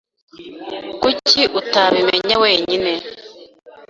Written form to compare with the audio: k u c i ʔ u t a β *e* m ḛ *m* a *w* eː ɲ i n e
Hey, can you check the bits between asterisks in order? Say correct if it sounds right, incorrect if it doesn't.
incorrect: i, incorrect: ɲ, correct

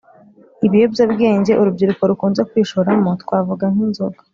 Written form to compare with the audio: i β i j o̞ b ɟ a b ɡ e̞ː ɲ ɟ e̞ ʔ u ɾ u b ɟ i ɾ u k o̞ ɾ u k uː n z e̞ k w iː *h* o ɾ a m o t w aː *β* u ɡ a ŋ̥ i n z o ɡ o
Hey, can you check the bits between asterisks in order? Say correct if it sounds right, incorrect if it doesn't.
incorrect: ʃ, incorrect: v

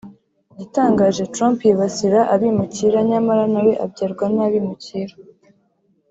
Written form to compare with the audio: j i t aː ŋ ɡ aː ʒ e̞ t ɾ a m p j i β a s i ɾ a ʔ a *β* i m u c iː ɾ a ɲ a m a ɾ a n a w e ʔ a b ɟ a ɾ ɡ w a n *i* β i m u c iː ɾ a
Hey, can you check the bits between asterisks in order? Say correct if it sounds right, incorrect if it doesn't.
correct, incorrect: a

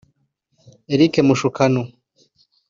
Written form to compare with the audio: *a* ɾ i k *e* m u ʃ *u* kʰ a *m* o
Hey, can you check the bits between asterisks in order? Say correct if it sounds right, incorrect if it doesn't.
incorrect: e, correct, correct, incorrect: n

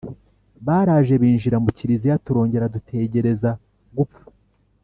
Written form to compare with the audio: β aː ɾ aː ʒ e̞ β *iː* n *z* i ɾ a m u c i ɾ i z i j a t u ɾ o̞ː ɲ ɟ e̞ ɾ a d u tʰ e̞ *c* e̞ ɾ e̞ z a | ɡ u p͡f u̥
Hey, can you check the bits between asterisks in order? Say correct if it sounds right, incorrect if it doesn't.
correct, incorrect: ʒ, incorrect: ɟ

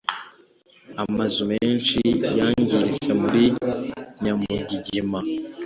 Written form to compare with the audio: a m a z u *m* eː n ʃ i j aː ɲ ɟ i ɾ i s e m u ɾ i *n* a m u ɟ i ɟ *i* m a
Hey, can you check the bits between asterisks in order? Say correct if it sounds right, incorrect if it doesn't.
correct, incorrect: ɲ, correct

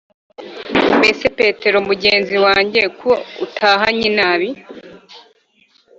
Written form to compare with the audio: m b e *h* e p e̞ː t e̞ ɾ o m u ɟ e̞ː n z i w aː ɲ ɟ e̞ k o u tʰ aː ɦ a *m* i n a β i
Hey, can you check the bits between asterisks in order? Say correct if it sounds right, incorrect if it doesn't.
incorrect: s, incorrect: ɲ

